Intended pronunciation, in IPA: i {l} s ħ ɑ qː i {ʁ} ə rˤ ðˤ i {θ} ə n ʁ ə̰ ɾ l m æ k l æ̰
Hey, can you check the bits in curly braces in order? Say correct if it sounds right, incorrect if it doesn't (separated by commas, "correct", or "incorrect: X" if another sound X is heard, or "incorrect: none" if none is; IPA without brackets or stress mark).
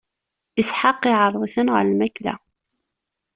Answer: incorrect: none, incorrect: ʕ, correct